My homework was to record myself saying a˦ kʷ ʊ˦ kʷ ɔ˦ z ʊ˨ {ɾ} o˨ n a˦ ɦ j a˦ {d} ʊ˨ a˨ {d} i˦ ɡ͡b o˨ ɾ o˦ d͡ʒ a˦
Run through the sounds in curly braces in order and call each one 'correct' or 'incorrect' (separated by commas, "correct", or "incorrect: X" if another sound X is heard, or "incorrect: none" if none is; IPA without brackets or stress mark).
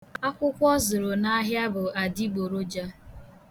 correct, incorrect: b, correct